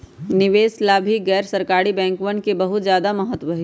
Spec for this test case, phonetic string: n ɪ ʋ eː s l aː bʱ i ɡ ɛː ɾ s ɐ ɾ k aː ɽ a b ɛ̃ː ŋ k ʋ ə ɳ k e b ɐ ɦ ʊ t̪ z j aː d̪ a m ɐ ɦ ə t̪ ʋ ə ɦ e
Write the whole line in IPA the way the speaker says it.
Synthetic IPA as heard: n ɪ ʋ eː s l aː bʱ i ɡ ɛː ɾ s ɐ ɾ k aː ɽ i b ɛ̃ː ŋ k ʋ ə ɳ k e b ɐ ɦ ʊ t̪ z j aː d̪ a m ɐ ɦ ə t̪ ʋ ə ɦ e